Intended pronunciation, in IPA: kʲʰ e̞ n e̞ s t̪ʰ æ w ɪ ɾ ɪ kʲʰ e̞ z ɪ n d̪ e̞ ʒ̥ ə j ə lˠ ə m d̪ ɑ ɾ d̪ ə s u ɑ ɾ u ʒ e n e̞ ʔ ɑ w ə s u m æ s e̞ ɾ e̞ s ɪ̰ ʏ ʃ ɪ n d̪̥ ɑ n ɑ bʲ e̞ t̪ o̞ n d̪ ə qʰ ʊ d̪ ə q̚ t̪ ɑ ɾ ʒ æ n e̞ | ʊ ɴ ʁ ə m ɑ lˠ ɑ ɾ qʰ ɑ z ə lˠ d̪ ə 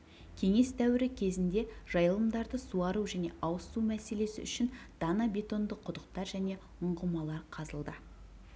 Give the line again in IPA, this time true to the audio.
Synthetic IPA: kʲʰ e̞ ŋ e̞ s t̪ʰ æ w ɪ ɾ ɪ kʲʰ e̞ z ɪ n d̪ e̞ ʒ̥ ɑ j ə lˠ ə m d̪ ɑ ɾ d̪ ə s u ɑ ɾ u ʒ æ n e̞ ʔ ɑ w ə s u m æ s e̞ l e̞ s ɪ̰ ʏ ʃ ɪ n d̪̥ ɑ n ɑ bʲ e̞ t̪ o̞ n d̪ ə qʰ ʊ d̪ ə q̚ t̪ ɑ ɾ ʒ æ n e̞ | ʊ ɴ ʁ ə m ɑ lˠ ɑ ɾ qʰ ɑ z ə lˠ d̪ ə

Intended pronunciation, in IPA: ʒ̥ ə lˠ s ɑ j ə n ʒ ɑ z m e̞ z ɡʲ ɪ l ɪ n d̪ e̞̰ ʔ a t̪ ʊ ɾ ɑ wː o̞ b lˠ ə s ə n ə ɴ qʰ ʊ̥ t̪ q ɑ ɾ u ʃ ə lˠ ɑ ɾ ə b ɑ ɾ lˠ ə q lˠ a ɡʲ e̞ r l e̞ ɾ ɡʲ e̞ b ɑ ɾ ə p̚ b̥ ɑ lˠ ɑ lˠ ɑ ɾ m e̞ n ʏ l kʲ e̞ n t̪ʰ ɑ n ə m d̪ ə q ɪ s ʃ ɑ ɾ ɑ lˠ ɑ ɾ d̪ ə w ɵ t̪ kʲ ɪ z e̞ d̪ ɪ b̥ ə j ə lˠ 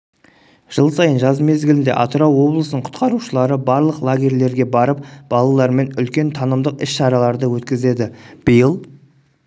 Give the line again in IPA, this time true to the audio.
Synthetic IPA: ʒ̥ ə lˠ s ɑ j ə n ʒ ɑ z m e̞ z ɡʲ ɪ l ɪ n d̪ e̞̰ ʔ ɑ t̪ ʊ ɾ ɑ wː o̞ b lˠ ə s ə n ə ɴ qʰ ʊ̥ t̪ q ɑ ɾ u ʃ ə lˠ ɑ ɾ ə b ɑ ɾ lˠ ə q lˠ a ɡʲ e̞ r l e̞ ɾ ɡʲ e̞ b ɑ ɾ ə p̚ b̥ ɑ lˠ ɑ lˠ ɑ ɾ m e̞ n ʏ l kʲ e̞ n t̪ʰ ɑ n ə m d̪ ə q ɪ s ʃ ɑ ɾ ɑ lˠ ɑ ɾ d̪ ə w ɵ t̪ kʲ ɪ z e̞ d̪ ɪ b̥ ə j ə lˠ

